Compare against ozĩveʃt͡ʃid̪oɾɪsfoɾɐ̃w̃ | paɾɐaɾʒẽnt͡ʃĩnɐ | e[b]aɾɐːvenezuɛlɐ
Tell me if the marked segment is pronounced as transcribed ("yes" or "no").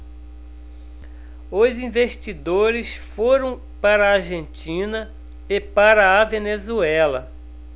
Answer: no